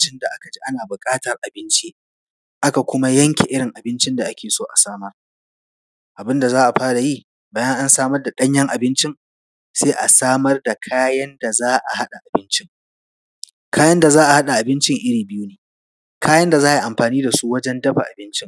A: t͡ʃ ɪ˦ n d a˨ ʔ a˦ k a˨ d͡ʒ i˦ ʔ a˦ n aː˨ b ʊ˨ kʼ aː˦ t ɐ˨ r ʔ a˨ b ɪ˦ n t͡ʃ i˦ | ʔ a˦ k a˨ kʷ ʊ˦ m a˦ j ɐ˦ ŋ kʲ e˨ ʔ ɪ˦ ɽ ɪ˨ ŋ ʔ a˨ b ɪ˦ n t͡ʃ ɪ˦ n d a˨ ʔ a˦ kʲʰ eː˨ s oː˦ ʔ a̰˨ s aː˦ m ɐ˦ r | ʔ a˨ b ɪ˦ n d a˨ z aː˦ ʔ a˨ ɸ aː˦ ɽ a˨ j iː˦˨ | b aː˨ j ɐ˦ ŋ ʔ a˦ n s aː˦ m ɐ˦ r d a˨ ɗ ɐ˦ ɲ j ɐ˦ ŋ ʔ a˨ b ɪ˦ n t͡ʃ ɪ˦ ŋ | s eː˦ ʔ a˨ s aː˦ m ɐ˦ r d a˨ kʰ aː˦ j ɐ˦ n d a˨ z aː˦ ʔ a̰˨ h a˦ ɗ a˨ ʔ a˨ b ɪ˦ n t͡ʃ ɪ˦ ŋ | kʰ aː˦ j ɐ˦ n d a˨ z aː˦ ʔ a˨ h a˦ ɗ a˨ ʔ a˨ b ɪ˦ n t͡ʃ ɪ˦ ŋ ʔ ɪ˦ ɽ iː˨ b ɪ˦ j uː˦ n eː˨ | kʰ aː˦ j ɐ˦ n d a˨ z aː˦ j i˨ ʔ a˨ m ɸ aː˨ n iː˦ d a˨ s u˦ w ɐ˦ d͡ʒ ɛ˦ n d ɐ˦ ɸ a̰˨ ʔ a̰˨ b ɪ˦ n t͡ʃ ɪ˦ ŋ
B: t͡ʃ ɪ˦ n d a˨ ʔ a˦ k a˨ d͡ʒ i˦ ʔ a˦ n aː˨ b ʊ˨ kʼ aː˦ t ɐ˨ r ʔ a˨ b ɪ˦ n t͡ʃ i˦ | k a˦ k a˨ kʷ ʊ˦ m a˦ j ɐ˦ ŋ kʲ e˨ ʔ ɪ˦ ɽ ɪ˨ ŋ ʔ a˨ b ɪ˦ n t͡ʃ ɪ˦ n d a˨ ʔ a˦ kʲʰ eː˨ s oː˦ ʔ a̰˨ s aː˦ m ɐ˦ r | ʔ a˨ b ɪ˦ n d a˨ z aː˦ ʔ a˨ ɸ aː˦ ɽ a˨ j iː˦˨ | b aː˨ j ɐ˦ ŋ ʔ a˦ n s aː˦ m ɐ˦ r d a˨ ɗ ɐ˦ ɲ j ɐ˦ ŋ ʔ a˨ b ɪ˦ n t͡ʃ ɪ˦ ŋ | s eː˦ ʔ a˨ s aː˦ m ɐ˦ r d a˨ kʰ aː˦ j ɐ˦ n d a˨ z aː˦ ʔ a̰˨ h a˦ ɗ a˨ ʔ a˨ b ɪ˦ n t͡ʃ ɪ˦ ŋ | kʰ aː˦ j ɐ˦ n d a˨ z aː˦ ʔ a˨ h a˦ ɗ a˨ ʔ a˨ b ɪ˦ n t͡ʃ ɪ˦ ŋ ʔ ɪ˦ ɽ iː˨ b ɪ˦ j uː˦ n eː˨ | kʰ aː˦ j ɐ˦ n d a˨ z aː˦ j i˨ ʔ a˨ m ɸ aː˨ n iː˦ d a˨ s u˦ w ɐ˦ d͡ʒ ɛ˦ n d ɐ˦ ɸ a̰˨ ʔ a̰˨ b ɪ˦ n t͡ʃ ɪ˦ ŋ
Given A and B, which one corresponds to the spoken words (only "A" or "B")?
A